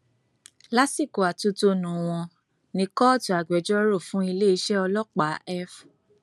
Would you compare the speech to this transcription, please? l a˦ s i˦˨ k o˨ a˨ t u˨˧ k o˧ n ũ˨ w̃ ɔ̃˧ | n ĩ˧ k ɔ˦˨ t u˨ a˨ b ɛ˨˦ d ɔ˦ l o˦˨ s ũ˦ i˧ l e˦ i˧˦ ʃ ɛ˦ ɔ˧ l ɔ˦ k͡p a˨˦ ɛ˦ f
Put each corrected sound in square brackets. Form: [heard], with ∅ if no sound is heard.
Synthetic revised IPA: l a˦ s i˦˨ k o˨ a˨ t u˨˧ [t] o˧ n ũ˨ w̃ ɔ̃˧ | n ĩ˧ k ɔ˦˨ t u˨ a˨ [ɡ͡b] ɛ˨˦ [d͡ʒ] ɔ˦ [ɾ] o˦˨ [f] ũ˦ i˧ l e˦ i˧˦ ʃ ɛ˦ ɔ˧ l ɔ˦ k͡p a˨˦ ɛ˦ f